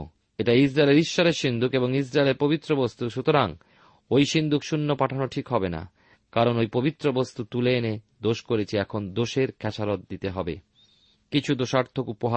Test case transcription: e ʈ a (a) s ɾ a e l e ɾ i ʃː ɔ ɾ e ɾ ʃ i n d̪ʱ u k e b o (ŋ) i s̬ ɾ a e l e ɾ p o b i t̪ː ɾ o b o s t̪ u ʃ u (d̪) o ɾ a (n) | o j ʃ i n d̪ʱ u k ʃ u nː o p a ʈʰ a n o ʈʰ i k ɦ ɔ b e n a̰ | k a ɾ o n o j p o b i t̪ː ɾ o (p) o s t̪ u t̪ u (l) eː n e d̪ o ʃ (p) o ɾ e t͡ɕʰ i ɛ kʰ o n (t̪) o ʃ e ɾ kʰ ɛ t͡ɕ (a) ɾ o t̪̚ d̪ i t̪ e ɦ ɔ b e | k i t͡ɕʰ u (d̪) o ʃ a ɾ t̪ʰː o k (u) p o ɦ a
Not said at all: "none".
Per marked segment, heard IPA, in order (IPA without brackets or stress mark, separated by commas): i, ŋ, t̪, ŋ, b, l, k, d̪, a, d̪, u